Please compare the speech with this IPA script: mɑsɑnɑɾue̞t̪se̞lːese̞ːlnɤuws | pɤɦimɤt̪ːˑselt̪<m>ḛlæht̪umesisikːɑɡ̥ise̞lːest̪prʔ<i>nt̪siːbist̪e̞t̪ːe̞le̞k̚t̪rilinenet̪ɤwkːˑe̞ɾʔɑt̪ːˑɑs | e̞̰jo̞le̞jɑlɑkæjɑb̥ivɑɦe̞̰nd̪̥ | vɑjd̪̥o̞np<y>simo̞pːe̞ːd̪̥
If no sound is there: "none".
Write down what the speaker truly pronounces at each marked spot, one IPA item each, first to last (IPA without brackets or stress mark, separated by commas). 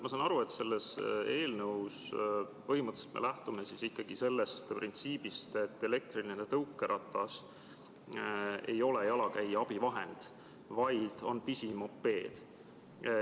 m, i, i